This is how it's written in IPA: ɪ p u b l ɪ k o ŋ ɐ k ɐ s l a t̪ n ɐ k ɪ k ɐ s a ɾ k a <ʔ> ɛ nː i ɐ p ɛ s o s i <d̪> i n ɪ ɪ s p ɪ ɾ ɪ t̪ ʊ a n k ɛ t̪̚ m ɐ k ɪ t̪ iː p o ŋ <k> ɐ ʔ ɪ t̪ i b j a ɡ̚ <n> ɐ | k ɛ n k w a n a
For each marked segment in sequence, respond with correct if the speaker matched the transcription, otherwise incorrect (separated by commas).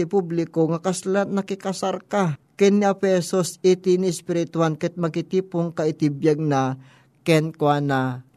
incorrect, incorrect, correct, correct